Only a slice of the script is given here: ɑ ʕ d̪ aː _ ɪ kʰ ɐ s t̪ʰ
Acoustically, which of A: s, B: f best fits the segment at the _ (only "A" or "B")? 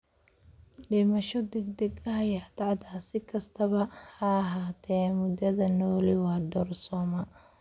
A